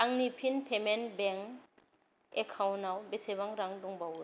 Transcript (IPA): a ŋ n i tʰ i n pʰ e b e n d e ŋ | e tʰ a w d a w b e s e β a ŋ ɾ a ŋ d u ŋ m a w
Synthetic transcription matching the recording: a ŋ n i pʰ i n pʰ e m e n b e ŋ | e kʰ a w n a w b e s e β a ŋ ɾ a ŋ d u ŋ b a w